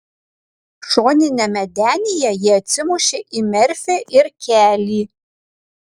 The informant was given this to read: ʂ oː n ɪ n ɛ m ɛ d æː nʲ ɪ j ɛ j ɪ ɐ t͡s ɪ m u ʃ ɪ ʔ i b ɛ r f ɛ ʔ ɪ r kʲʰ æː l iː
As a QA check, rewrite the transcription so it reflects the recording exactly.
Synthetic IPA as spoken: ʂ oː n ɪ n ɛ m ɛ d æː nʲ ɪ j ɛ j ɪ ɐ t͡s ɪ m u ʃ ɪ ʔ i m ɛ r f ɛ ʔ ɪ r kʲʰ æː l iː